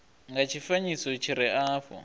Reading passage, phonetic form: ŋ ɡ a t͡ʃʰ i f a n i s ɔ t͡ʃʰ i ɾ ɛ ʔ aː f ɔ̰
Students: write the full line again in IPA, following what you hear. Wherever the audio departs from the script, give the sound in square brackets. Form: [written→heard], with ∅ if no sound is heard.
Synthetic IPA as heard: ŋ ɡ a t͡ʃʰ i f a [n→ɲ] i s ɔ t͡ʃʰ i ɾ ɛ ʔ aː f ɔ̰